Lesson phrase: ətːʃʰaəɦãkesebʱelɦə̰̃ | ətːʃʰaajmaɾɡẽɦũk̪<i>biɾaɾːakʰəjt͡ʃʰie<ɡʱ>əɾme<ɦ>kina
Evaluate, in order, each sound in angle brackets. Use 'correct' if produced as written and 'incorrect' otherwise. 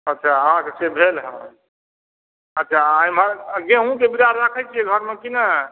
incorrect: e, correct, incorrect: none

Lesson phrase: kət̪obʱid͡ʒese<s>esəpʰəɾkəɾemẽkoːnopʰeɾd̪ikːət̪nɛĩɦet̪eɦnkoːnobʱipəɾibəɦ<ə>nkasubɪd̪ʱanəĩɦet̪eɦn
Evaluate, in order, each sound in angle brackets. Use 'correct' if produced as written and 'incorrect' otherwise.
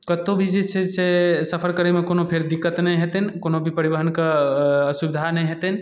correct, correct

